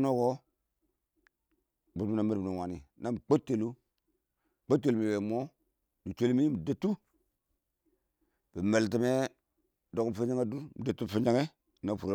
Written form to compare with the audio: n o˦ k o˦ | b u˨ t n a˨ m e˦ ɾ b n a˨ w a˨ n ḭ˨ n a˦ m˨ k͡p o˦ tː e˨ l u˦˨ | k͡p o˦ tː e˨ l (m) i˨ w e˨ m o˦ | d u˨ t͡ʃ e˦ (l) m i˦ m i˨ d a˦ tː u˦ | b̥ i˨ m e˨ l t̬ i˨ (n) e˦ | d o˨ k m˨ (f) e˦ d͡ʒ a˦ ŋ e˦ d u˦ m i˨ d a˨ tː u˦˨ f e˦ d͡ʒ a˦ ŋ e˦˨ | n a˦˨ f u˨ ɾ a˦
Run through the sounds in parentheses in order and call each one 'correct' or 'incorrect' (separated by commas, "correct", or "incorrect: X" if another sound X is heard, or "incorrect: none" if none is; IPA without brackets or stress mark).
correct, correct, incorrect: m, correct